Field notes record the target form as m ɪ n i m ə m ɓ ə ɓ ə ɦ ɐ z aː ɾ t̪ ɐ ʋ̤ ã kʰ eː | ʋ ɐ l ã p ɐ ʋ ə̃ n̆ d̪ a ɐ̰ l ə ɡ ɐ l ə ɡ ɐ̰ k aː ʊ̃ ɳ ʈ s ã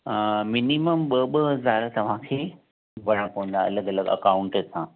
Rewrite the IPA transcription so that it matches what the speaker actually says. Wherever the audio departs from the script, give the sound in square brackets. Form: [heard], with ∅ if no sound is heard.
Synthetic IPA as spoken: m ɪ n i m ə m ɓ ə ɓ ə ɦ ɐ z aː ɾ t̪ ɐ ʋ̤ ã kʰ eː | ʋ ɐ [ɽ] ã p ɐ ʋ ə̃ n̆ d̪ a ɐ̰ l ə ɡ ɐ l ə ɡ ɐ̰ k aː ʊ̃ ɳ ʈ s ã